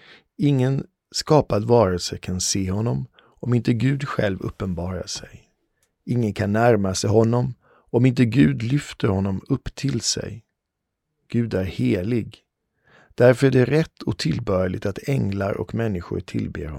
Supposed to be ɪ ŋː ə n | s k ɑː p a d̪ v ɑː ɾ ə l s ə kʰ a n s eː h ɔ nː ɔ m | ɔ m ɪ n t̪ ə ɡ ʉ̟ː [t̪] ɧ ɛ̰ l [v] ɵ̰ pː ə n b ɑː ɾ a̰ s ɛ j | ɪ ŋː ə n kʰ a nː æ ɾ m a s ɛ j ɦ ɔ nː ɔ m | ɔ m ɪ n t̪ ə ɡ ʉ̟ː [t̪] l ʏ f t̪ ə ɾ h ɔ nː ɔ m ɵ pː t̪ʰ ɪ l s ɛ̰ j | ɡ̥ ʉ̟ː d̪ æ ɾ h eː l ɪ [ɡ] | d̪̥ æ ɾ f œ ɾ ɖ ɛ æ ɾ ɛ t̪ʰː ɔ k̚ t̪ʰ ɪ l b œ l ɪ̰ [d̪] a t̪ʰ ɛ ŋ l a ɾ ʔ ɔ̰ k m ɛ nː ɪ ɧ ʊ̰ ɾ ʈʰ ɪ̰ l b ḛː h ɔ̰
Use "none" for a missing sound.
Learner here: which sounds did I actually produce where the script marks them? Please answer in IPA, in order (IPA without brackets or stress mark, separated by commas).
d̪, v, d̪, ɡ, t̪